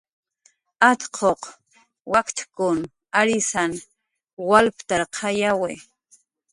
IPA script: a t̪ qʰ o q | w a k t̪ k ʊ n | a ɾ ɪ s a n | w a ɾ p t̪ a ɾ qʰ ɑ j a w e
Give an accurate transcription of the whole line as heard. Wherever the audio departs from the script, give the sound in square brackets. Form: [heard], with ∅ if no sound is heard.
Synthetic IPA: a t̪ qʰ o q | w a k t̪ k ʊ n | a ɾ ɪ s a n | w a [l] p t̪ a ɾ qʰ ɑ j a w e